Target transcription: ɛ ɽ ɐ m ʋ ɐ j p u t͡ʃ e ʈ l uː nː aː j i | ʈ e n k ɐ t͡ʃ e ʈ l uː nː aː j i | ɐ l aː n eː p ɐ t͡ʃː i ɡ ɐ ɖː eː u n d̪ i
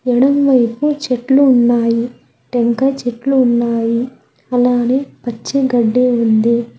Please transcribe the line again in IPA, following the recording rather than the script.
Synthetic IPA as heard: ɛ ɽ ɐ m ʋ ɐ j p u t͡ʃ e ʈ l uː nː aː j i | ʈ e ŋ k ɐ t͡ʃ e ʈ l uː nː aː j i | ɐ l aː n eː p ɐ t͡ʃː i ɡ ɐ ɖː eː u n d̪ i